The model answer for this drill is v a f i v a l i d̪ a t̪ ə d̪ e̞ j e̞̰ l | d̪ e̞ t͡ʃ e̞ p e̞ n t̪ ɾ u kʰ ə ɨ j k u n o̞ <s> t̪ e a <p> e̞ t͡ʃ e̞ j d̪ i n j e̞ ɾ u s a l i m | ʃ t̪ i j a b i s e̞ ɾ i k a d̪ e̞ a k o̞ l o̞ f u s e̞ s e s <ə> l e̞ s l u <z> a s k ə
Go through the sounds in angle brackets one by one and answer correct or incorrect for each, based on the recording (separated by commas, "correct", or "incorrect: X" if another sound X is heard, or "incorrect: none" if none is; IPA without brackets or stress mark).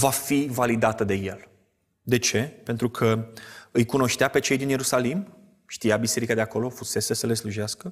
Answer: incorrect: ʃ, correct, correct, incorrect: ʒ